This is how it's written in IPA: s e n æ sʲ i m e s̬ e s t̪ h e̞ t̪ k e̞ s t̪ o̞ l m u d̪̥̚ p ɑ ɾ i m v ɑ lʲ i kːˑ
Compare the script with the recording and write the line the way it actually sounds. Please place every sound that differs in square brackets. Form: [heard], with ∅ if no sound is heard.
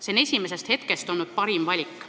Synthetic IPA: s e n [e] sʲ i m e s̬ e s t̪ h e̞ t̪ k e̞ s t̪ o̞ l [n] u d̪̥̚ p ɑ ɾ i m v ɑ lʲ i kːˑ